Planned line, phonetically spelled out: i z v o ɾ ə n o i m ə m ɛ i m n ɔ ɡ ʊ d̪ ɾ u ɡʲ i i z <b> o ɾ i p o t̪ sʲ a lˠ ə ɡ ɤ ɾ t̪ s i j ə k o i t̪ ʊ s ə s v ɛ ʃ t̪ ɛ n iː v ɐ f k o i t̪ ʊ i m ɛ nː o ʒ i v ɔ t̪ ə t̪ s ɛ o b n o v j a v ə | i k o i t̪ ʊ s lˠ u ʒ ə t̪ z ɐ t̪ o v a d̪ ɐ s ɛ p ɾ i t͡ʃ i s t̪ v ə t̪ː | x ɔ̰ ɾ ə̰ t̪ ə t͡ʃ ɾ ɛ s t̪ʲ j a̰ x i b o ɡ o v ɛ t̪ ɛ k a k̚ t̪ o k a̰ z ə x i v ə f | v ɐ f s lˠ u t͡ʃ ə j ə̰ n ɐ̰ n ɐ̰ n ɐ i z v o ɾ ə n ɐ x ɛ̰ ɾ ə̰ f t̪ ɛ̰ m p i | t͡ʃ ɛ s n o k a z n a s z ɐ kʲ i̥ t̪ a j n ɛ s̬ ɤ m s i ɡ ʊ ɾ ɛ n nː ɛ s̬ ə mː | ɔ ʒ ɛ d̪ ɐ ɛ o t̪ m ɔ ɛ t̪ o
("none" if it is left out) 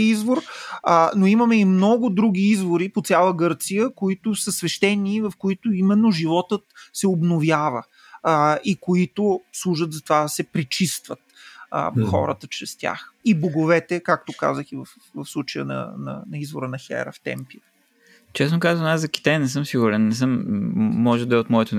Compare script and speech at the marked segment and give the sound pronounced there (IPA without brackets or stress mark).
v